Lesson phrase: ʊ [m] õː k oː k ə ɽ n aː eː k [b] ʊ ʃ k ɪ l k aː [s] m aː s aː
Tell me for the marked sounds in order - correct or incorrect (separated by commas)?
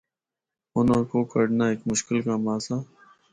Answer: incorrect, incorrect, incorrect